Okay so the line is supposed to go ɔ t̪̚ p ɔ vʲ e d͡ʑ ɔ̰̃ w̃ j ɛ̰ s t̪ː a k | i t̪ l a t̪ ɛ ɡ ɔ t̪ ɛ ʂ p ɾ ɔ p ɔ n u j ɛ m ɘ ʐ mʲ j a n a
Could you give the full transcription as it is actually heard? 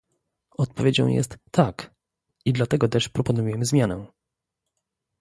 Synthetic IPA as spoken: ɔ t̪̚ p ɔ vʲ e d͡ʑ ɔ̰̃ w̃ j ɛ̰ s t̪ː a k | i d̪ l a t̪ ɛ ɡ ɔ t̪ ɛ ʂ p ɾ ɔ p ɔ n u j ɛ m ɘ z mʲ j a n ɛ